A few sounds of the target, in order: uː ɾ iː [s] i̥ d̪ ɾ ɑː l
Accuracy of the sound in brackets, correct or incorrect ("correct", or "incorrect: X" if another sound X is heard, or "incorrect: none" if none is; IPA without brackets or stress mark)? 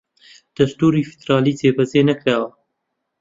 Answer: incorrect: f